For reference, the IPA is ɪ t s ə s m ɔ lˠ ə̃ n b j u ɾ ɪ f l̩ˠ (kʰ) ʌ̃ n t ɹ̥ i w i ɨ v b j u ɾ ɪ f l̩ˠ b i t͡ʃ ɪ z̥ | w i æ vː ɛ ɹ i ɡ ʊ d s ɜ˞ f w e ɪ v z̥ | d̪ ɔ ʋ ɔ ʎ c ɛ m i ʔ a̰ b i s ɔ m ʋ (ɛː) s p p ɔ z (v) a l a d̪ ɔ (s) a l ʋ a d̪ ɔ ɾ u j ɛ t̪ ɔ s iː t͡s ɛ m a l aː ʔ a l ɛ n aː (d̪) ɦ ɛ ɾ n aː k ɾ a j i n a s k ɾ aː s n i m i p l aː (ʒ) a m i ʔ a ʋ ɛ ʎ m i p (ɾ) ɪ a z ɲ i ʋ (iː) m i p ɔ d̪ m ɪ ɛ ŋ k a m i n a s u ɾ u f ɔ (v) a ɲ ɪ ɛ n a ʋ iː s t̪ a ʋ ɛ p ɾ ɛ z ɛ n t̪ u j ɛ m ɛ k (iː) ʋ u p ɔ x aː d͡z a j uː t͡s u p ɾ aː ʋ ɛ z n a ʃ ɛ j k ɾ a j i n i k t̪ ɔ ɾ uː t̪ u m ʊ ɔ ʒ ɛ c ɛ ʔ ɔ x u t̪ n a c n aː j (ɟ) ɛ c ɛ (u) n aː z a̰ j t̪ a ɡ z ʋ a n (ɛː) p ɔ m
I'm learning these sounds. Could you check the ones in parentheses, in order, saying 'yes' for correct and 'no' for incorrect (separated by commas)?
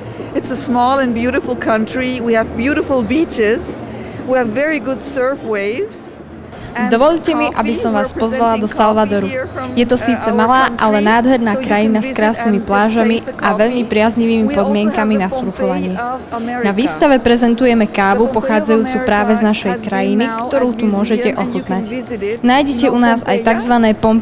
yes, no, no, yes, yes, yes, yes, yes, no, no, yes, yes, yes